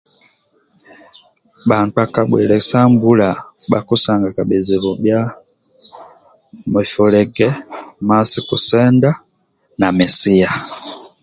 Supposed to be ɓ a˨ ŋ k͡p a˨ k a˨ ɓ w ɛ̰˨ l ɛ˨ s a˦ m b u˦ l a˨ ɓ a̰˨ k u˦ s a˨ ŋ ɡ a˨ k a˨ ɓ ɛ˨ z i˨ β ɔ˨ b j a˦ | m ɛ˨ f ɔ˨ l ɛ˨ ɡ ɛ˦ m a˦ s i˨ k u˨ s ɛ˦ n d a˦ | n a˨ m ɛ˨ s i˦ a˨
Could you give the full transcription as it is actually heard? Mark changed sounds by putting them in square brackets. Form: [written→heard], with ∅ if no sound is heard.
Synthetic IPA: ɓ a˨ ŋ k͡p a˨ k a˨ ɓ w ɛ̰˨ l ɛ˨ s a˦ m b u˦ l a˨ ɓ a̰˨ k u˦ s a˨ ŋ ɡ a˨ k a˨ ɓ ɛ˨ z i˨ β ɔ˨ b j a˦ | m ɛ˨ f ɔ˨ l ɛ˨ ɡ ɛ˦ m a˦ s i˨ k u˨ s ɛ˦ n d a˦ | n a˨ m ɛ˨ s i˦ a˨